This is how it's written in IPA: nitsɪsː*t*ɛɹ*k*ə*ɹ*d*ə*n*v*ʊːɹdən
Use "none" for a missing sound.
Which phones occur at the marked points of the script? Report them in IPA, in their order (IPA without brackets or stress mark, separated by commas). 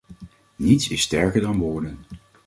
t, k, ɹ, ɑ, ʋ